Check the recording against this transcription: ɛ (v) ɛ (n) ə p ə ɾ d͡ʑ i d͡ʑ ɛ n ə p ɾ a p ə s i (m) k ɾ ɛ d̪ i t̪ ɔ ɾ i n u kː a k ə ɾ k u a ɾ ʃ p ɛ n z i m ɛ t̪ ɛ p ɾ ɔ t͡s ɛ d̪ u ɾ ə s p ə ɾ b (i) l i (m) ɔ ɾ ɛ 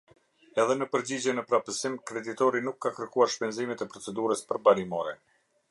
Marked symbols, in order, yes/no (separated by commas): no, yes, yes, no, yes